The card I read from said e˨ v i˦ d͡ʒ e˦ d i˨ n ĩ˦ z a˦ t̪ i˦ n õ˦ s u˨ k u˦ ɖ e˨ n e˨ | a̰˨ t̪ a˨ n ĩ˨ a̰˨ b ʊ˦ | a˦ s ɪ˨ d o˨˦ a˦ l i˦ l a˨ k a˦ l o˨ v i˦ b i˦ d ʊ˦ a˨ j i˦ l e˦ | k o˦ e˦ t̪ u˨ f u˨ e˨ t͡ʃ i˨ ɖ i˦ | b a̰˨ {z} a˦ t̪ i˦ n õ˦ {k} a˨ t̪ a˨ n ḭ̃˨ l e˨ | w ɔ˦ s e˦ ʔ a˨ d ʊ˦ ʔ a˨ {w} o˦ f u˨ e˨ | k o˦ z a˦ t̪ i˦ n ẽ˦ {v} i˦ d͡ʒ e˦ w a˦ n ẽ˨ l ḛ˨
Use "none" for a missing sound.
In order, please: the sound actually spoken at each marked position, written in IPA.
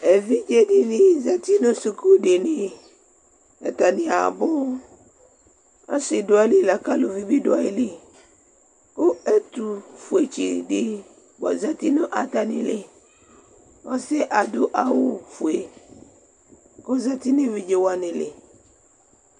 z, ʔ, w, v

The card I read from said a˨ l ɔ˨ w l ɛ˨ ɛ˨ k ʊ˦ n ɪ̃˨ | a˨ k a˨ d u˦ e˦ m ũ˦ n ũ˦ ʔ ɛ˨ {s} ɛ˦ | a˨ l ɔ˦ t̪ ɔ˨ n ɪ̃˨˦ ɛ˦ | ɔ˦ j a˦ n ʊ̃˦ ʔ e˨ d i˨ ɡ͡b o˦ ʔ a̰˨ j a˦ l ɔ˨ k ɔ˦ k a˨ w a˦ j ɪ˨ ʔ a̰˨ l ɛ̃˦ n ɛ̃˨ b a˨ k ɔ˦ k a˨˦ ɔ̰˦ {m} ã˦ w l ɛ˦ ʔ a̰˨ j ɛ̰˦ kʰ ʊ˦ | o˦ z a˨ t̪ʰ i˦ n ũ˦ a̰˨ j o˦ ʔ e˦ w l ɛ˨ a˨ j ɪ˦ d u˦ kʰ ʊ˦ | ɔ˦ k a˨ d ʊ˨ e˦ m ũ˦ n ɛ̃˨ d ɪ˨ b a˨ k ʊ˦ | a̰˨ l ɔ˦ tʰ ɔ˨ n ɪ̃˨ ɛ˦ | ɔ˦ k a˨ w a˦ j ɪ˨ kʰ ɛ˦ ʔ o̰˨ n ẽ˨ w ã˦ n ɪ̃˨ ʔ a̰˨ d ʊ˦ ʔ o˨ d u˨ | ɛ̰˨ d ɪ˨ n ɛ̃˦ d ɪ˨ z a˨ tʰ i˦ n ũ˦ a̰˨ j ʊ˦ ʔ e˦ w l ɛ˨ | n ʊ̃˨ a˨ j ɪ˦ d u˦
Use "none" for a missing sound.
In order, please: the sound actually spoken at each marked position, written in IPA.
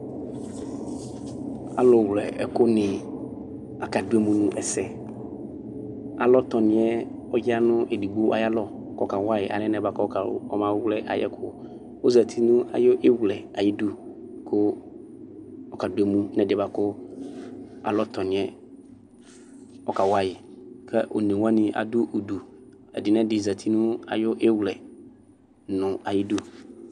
s, m

